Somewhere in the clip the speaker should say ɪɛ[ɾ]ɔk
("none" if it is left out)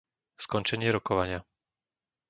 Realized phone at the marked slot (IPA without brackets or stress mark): ɾ